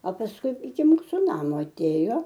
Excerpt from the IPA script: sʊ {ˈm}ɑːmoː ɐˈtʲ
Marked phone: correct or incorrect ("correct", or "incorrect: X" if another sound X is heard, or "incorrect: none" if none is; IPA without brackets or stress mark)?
incorrect: n